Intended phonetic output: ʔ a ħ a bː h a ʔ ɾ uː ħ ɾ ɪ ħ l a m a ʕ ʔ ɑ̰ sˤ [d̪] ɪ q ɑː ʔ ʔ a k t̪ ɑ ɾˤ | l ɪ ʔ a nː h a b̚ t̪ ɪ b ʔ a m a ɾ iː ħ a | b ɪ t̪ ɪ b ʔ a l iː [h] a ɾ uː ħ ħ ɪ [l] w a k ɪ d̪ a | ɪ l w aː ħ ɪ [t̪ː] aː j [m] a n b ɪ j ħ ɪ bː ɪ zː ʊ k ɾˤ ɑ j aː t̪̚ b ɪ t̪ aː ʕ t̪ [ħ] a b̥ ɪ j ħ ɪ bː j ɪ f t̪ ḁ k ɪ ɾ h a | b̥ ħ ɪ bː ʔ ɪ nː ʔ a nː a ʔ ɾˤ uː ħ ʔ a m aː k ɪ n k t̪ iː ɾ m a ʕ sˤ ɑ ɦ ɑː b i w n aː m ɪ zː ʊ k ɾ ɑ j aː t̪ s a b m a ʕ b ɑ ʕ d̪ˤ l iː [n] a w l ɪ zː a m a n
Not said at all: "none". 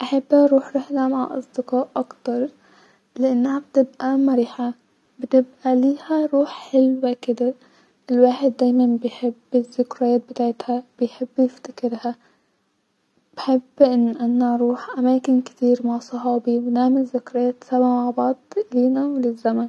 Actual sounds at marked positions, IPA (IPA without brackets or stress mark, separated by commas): d̪, h, l, d̪ː, m, h, n